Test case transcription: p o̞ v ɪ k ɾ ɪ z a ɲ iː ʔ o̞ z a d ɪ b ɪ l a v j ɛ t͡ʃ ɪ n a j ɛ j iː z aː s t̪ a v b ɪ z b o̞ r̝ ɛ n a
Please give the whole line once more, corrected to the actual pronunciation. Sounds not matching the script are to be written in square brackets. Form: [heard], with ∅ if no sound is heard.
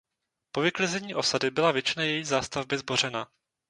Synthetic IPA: p o̞ v ɪ k [l] ɪ z [ɛ] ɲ iː ʔ o̞ [s] a d ɪ b ɪ l a v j ɛ t͡ʃ ɪ n a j ɛ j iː z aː s t̪ a v b ɪ z b o̞ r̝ ɛ n a